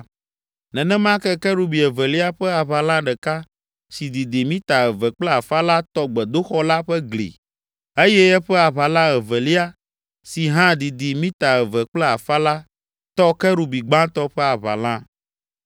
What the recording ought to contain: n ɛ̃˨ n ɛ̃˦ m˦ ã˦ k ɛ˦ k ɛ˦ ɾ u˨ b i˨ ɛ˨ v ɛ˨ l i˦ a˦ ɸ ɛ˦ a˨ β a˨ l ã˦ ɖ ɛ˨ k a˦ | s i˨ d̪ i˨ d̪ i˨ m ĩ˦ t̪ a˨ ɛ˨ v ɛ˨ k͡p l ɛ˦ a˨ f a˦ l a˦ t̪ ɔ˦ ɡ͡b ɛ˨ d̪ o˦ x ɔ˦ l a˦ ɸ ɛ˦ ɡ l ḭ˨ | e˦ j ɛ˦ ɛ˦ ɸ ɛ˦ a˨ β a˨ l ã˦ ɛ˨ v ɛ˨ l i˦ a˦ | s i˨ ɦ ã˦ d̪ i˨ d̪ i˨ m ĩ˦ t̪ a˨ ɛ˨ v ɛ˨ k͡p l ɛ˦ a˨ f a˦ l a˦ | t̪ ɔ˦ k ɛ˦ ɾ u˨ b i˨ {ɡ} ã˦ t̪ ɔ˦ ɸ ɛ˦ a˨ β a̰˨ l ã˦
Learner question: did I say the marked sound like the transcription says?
no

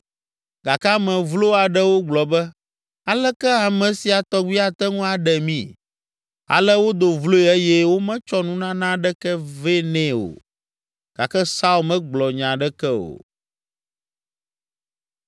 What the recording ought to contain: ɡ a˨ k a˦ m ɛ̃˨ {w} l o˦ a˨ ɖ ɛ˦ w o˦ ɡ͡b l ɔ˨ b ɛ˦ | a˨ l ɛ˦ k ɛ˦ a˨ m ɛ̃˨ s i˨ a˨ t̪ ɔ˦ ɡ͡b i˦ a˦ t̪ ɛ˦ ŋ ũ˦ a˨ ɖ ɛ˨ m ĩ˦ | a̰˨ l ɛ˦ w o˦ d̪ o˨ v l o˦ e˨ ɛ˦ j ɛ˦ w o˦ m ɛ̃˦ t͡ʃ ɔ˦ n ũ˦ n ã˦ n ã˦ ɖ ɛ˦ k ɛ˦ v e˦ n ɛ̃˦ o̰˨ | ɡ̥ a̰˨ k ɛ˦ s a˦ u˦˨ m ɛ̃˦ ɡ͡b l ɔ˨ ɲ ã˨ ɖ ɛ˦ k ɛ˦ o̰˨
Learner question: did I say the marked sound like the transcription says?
no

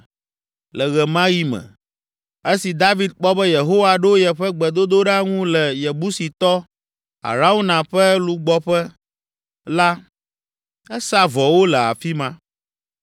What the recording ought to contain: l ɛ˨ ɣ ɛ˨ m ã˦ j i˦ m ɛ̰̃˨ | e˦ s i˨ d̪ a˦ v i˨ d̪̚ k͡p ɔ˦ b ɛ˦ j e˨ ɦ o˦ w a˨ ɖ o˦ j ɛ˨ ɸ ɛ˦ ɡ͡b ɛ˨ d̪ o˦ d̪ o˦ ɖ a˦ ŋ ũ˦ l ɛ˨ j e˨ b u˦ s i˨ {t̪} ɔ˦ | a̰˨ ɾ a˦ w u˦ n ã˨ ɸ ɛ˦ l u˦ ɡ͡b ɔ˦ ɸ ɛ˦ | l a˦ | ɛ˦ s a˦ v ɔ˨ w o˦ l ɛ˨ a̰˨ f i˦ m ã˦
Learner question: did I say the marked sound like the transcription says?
yes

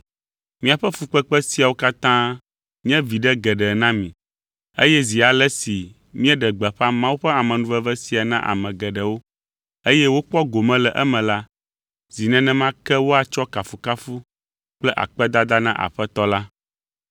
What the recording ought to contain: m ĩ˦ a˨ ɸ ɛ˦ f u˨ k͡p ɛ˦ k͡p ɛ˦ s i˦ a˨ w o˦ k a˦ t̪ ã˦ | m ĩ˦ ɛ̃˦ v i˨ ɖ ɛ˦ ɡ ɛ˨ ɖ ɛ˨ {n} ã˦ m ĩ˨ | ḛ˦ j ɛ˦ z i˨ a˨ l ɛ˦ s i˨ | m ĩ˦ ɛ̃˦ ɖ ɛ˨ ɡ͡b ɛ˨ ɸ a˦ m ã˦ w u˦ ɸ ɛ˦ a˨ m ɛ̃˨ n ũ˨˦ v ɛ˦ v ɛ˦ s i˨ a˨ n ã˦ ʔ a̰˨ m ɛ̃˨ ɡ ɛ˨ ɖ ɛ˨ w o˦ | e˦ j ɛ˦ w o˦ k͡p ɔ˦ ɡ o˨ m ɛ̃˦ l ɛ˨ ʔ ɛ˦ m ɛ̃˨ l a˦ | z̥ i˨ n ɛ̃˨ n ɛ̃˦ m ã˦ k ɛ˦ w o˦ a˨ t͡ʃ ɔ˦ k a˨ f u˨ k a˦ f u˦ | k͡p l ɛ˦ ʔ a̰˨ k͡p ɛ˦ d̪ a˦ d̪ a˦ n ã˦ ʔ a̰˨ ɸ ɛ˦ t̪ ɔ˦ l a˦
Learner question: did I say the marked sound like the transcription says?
yes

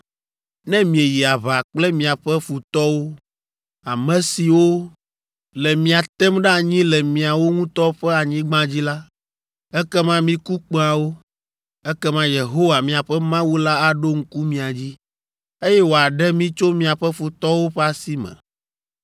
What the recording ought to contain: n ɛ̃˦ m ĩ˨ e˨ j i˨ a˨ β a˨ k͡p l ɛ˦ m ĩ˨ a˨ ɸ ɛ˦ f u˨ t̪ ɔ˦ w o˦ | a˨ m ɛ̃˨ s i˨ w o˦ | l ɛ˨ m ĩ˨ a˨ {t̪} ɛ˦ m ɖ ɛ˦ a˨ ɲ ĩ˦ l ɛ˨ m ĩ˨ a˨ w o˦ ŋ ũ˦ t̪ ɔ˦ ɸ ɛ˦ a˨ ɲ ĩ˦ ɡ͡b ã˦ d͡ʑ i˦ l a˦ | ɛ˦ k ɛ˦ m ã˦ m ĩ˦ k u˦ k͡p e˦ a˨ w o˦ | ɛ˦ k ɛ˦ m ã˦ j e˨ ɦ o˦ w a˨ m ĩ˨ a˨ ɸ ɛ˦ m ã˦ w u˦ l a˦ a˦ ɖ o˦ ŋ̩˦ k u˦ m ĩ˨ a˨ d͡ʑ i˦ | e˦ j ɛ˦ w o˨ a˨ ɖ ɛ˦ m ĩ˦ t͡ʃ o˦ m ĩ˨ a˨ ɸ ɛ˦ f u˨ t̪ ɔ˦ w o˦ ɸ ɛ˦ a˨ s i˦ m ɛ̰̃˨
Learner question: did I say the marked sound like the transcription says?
yes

